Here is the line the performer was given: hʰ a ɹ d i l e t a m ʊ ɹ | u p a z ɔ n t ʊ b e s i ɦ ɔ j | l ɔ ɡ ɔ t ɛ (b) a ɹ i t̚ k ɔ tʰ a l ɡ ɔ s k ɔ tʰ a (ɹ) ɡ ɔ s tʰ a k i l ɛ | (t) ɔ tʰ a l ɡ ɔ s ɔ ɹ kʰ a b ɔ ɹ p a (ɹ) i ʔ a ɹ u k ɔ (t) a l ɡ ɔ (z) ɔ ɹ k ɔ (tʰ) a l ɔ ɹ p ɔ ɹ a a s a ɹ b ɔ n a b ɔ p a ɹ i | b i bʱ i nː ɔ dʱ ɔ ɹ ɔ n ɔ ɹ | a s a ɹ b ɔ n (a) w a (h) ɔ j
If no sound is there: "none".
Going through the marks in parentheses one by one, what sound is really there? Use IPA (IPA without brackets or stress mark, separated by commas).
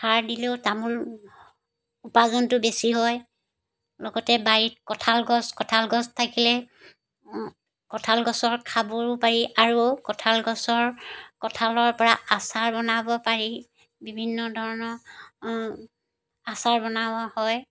b, l, k, ɹ, tʰ, s, tʰ, a, h